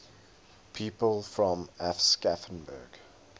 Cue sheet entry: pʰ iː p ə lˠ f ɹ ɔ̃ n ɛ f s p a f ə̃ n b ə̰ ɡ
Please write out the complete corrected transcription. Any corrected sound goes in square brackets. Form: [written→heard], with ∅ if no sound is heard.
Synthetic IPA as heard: pʰ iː p ə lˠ f ɹ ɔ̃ [n→m] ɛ f s [p→k] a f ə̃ n b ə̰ ɡ